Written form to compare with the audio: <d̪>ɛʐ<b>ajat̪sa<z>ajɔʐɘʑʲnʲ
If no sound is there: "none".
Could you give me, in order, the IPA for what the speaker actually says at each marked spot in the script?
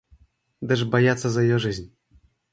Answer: d̪, b, z

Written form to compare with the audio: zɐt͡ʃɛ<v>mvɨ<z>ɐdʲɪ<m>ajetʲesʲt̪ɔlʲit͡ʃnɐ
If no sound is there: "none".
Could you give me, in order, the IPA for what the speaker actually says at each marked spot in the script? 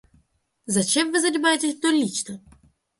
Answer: none, z, m

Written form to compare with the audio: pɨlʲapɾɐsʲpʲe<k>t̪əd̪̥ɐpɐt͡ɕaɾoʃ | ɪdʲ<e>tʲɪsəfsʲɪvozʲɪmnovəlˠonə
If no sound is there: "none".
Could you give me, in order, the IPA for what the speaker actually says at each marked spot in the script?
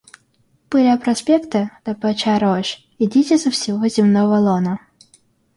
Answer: k, i

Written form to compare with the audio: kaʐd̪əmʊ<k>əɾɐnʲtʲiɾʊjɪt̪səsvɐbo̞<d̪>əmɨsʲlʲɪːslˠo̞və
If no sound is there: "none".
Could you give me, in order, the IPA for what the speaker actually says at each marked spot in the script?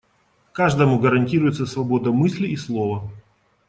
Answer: ɡ, d̪

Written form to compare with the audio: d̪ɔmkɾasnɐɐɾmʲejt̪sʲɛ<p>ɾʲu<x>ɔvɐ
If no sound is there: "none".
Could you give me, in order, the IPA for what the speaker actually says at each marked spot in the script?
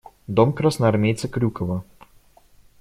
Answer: k, k

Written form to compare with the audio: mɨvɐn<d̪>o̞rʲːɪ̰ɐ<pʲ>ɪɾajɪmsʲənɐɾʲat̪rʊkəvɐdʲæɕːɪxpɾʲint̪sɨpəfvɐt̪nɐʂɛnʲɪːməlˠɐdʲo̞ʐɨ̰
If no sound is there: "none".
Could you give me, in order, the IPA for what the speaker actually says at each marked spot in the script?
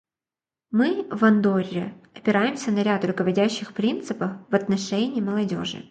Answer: d̪, pʲ

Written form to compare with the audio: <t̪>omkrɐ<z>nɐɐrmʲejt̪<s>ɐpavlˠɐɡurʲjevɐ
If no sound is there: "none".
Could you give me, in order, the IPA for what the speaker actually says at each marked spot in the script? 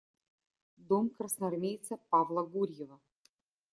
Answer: d̪, s, s

